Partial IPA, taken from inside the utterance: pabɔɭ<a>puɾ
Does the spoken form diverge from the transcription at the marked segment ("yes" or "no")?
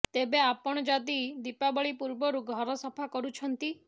yes